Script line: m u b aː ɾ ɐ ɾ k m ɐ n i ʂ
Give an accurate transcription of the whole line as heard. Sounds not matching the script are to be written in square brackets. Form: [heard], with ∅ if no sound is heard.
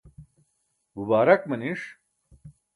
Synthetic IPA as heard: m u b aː ɾ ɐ [∅] k m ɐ n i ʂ